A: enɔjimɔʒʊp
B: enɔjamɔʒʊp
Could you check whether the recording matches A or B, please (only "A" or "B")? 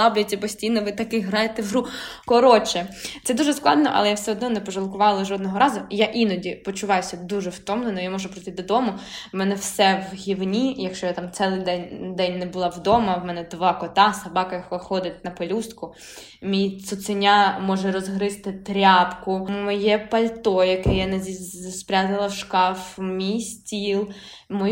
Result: B